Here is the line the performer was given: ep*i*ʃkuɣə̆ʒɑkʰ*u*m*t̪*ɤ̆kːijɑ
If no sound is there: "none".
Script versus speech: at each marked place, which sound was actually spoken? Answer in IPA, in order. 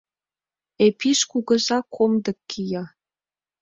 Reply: i, o, d̪

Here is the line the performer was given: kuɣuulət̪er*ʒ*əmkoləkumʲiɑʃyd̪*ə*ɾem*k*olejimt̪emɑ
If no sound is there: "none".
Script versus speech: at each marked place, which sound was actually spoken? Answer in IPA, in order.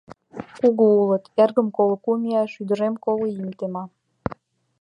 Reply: ɣ, ə, k

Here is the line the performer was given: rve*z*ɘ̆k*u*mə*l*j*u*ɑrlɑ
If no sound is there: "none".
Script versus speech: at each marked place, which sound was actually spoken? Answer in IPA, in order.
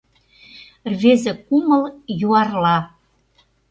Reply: z, u, l, u

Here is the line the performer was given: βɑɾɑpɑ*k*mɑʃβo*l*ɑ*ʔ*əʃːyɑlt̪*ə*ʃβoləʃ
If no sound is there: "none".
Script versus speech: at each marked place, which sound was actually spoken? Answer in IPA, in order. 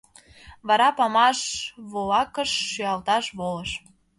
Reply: none, l, k, ɑ

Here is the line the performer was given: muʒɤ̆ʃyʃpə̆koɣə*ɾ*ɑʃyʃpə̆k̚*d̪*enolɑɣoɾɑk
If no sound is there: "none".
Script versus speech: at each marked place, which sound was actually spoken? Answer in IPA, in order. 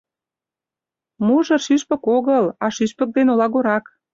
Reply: l, d̪

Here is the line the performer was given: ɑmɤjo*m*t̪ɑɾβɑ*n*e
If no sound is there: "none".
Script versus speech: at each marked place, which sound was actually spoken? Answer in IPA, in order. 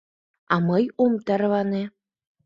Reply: m, n

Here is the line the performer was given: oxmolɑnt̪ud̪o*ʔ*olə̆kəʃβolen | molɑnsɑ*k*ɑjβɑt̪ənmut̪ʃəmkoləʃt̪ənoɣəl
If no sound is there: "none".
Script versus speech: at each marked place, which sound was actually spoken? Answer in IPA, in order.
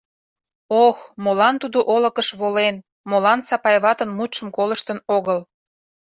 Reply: ʔ, p

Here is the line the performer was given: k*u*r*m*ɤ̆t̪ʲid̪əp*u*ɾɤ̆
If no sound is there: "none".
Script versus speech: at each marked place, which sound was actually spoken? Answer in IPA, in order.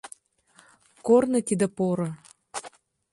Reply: o, n, o

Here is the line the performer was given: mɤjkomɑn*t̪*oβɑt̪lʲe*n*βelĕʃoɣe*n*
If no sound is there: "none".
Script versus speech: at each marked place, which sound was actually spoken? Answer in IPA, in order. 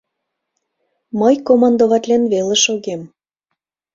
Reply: d̪, n, m

